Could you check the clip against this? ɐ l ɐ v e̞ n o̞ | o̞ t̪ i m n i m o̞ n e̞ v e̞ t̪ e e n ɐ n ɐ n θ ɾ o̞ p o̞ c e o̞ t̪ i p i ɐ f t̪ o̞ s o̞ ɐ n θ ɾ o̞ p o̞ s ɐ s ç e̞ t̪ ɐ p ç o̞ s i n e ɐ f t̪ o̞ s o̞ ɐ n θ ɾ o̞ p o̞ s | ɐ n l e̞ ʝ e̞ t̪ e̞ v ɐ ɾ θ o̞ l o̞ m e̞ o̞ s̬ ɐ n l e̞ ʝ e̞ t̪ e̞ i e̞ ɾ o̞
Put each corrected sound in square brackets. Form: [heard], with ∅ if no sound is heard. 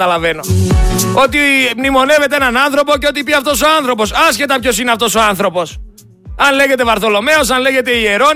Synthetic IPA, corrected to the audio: ɐ l ɐ v e̞ n o̞ | o̞ t̪ i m n i m o̞ n e̞ v e̞ t̪ e e n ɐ n ɐ n θ ɾ o̞ p o̞ c e o̞ t̪ i p i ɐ f t̪ o̞ s o̞ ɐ n θ ɾ o̞ p o̞ s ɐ s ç e̞ t̪ ɐ p ç o̞ s i n e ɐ f t̪ o̞ s o̞ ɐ n θ ɾ o̞ p o̞ s | ɐ n l e̞ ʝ e̞ t̪ e̞ v ɐ ɾ θ o̞ l o̞ m e̞ o̞ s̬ ɐ n l e̞ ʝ e̞ t̪ e̞ i e̞ ɾ o̞